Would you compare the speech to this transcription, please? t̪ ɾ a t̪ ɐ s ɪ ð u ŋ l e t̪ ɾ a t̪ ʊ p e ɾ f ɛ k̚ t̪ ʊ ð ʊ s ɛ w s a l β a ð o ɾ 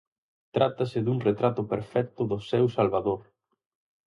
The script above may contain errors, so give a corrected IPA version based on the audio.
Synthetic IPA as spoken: t̪ ɾ a t̪ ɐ s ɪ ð u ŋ r e t̪ ɾ a t̪ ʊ p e ɾ f ɛ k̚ t̪ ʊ ð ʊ s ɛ w s a l β a ð o ɾ